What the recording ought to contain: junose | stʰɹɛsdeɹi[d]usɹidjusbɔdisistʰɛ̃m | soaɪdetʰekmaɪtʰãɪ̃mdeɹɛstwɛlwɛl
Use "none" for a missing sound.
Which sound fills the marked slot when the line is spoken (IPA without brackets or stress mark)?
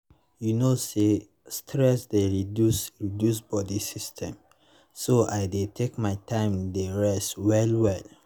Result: d